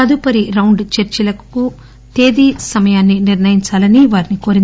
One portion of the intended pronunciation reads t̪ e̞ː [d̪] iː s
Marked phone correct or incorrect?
correct